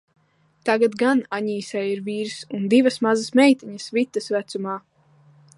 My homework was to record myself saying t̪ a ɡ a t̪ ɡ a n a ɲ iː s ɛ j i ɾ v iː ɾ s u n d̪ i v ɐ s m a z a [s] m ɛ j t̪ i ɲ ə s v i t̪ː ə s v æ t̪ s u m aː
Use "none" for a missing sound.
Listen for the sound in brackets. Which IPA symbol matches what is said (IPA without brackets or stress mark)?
s